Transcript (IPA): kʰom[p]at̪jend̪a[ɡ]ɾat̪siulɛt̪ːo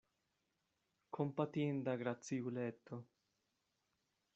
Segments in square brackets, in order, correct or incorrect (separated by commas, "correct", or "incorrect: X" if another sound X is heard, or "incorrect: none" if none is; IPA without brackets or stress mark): correct, correct